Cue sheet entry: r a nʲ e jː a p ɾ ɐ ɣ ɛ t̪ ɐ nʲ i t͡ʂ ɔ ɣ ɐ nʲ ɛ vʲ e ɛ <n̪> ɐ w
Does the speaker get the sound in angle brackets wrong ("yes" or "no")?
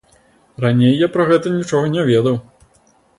yes